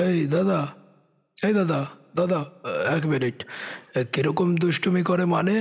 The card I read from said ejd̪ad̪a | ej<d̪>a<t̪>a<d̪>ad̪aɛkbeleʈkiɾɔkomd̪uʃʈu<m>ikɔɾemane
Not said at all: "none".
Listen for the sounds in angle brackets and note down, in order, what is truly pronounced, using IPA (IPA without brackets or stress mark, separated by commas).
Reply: d̪, d̪, d̪, m